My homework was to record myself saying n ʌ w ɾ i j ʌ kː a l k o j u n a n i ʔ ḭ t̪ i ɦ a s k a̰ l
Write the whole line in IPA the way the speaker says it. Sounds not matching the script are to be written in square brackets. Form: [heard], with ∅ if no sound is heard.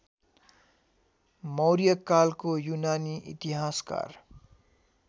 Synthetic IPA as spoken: [m] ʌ w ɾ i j ʌ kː a l k o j u n a n i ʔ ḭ t̪ i ɦ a s k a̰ [r]